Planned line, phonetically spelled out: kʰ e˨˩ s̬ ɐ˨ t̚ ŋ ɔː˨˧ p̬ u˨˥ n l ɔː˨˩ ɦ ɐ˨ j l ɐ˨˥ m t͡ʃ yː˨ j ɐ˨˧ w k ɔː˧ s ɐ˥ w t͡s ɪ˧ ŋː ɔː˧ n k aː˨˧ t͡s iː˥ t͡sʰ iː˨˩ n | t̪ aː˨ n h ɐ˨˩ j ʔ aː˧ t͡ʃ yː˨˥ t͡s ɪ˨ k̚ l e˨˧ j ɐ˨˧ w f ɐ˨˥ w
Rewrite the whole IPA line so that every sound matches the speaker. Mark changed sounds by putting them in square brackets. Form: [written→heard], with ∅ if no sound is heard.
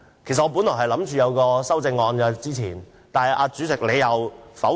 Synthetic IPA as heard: kʰ e˨˩ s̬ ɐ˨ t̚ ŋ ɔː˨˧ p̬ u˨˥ n l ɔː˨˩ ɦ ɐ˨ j l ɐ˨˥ m t͡ʃ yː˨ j ɐ˨˧ w k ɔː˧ s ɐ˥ w t͡s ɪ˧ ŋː ɔː˧ n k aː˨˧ t͡s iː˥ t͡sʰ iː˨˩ n | t̪ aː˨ n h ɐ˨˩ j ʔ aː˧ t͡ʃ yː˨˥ t͡s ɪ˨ k̚ l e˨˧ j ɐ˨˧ w f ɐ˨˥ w